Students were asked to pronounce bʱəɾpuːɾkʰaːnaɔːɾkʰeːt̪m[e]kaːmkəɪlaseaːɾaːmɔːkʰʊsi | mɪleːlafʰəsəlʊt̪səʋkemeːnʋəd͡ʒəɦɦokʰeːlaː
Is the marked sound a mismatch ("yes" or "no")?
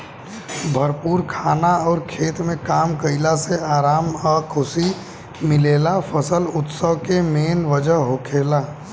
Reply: yes